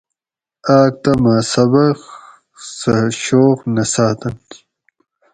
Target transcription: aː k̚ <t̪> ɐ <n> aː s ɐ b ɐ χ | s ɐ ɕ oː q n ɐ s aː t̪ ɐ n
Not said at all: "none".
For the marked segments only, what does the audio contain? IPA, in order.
t̪, m

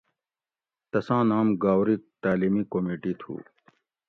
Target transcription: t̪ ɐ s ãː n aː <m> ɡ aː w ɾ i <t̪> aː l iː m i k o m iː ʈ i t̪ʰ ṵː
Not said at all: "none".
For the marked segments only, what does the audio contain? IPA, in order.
m, t̪

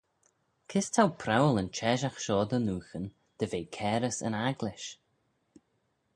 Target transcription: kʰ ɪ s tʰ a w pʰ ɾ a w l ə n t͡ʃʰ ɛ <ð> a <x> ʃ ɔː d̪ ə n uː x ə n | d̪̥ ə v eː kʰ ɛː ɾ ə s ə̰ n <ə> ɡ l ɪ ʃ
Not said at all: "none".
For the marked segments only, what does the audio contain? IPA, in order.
ʒ, x, a

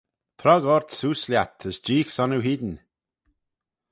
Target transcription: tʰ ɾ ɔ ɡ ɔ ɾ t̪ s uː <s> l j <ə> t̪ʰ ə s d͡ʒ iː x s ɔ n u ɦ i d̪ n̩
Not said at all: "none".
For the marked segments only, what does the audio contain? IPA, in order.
s, a

